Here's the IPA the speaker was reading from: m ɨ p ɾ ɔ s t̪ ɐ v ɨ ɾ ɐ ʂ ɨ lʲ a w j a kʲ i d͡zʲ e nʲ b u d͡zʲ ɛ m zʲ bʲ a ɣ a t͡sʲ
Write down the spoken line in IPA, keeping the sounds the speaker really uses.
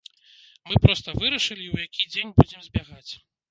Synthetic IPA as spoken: m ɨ p ɾ ɔ s t̪ ɐ v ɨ ɾ ɐ ʂ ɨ lʲ i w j a kʲ i d͡zʲ e nʲ b u d͡zʲ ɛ m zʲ bʲ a ɣ a t͡sʲ